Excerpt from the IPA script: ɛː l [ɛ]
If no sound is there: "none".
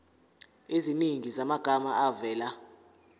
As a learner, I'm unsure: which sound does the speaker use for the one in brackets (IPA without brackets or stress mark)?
a